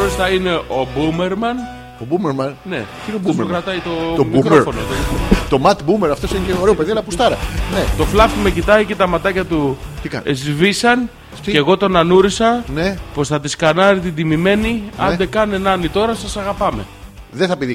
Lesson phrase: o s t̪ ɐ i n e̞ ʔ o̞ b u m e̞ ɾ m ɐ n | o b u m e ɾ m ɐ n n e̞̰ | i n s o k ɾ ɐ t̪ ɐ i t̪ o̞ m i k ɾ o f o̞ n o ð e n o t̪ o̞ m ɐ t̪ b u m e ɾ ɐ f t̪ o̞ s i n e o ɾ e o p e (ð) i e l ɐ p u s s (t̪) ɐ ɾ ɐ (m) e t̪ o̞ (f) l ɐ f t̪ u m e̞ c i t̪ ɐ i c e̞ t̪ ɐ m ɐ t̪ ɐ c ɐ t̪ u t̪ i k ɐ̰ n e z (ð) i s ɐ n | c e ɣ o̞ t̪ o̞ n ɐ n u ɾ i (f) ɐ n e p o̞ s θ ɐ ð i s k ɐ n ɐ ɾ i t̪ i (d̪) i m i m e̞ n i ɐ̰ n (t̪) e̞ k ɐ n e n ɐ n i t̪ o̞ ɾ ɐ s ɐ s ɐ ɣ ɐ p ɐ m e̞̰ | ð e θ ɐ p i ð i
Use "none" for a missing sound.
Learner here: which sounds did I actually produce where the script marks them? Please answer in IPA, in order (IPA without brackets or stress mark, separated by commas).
ð, t̪, n, f, v, s, d̪, d̪